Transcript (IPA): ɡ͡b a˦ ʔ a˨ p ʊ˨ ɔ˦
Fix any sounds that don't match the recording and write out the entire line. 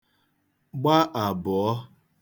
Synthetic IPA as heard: ɡ͡b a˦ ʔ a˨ b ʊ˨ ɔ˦